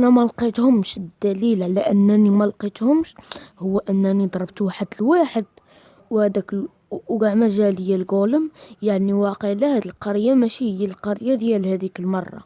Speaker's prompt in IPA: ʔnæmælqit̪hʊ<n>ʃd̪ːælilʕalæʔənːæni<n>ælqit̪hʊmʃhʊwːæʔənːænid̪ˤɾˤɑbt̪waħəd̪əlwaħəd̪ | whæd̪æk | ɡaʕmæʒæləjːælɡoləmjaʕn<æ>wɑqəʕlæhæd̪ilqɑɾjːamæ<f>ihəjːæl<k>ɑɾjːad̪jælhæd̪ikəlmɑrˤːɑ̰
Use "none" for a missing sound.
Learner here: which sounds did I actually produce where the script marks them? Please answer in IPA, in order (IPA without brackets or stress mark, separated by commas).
m, m, i, ʃ, q